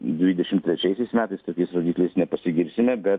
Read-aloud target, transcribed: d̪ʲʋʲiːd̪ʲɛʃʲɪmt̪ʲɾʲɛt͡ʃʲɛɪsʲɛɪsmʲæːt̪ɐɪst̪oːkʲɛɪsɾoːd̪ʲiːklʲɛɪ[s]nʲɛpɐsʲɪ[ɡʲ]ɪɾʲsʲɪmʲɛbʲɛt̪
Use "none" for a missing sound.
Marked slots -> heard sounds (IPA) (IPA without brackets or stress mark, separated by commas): s, ɡʲ